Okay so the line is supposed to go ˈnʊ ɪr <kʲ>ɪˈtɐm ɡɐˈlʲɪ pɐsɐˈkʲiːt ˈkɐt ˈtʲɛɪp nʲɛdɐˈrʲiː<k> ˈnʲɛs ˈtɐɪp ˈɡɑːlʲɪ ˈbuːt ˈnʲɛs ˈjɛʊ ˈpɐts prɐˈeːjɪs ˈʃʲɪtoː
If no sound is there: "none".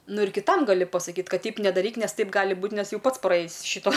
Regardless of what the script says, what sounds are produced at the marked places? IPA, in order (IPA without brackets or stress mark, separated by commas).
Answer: kʲ, k